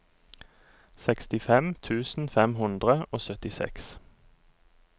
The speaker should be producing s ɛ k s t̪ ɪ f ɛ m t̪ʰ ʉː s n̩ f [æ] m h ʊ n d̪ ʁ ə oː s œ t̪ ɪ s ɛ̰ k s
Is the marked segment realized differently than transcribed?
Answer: yes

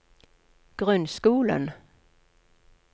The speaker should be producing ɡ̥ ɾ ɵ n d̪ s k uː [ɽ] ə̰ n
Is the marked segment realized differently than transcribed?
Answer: yes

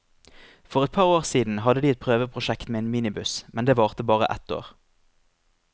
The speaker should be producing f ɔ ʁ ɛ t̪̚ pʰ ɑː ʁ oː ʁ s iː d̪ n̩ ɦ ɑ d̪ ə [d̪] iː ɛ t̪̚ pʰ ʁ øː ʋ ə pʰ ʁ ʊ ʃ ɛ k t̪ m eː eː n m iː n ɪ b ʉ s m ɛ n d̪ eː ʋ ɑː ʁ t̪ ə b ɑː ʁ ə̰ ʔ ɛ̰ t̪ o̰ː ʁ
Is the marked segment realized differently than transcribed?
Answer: no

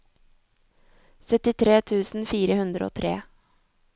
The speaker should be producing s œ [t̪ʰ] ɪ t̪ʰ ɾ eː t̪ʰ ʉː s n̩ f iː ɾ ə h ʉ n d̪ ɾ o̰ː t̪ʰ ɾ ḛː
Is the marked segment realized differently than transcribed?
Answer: yes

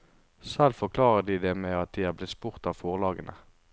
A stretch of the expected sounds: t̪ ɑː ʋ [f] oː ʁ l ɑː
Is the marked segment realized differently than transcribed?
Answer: no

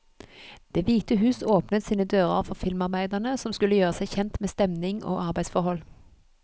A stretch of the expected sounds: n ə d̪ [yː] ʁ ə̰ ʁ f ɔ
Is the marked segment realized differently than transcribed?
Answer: yes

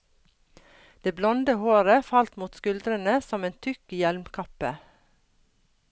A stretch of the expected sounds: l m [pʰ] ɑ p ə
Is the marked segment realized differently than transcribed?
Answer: yes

